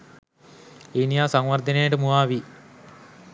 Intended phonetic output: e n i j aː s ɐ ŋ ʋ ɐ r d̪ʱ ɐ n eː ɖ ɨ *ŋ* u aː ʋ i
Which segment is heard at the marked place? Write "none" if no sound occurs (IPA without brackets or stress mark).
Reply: m